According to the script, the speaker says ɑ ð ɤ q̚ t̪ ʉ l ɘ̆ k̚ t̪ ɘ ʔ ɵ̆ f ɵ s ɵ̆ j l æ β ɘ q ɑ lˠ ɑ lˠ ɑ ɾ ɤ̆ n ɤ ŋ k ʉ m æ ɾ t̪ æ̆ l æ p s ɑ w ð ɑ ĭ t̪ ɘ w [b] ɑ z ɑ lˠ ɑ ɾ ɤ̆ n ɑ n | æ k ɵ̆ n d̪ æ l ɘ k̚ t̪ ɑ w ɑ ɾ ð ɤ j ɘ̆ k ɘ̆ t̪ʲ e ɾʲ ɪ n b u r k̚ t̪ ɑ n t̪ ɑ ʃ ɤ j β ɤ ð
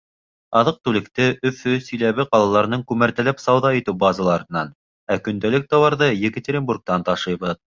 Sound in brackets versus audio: correct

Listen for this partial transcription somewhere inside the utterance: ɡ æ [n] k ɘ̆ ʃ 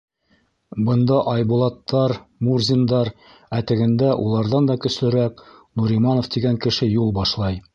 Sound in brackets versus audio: incorrect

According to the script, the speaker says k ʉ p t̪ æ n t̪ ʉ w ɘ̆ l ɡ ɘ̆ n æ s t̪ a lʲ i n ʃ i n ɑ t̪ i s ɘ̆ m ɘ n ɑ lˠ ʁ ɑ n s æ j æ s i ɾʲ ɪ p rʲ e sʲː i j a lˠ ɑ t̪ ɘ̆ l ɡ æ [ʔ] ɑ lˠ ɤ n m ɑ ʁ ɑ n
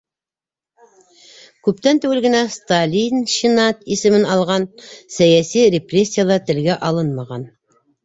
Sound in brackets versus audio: correct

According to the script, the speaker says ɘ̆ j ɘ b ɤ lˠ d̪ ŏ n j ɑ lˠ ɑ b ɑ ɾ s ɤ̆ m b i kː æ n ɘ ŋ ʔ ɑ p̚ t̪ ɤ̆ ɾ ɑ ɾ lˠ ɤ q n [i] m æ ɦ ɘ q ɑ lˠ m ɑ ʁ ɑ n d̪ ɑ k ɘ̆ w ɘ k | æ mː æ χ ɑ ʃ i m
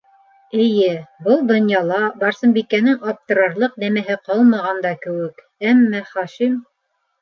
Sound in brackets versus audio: incorrect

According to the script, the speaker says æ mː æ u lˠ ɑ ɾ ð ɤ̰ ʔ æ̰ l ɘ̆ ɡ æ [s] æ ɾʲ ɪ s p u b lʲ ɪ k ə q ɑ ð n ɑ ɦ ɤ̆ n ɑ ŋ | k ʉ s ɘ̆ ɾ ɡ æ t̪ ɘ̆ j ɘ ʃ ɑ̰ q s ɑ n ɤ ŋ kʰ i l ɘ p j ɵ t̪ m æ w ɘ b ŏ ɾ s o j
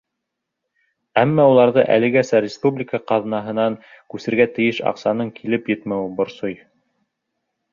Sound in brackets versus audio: correct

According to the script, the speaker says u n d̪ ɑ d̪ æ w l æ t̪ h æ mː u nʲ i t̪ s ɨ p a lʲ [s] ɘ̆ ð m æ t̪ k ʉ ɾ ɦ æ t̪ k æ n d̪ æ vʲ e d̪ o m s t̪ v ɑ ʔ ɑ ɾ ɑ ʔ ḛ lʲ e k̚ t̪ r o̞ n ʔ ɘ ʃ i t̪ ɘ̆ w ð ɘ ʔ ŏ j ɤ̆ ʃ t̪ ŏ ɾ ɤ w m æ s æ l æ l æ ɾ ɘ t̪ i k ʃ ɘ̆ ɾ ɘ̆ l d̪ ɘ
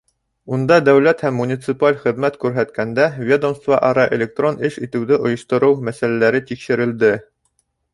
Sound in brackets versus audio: incorrect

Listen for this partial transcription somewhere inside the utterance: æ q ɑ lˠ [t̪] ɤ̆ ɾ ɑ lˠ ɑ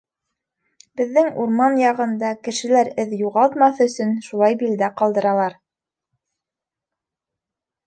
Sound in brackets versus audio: incorrect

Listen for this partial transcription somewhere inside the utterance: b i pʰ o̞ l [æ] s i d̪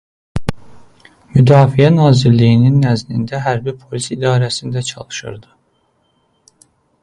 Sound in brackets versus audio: incorrect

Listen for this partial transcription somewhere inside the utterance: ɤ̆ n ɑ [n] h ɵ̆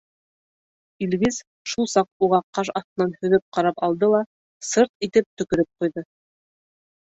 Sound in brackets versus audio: correct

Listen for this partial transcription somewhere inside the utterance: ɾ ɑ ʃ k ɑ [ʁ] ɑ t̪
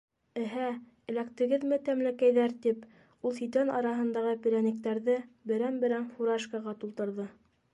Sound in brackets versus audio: correct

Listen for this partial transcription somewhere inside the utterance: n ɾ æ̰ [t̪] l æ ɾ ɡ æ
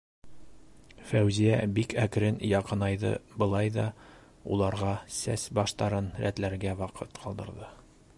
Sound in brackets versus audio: correct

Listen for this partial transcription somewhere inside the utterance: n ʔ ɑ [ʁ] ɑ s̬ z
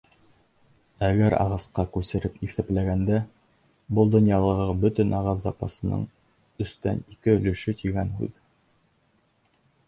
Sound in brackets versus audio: correct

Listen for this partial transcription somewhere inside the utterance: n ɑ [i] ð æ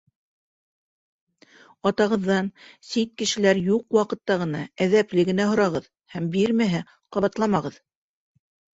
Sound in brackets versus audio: incorrect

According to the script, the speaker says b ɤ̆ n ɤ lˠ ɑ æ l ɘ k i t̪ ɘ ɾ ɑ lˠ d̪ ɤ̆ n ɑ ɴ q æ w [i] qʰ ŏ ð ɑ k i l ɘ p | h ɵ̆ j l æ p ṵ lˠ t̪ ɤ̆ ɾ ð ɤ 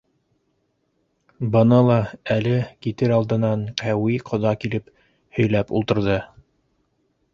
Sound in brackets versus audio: correct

